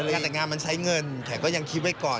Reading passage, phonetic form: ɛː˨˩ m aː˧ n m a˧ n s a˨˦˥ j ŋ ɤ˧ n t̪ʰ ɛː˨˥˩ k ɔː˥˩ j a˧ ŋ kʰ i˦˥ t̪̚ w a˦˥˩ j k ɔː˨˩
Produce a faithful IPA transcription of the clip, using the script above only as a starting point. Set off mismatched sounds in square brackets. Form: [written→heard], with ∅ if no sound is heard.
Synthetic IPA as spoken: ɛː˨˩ [m→ŋ] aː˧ n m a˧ n s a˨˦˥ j ŋ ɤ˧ n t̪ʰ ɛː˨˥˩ k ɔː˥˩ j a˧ ŋ kʰ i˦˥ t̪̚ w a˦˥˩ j k ɔː˨˩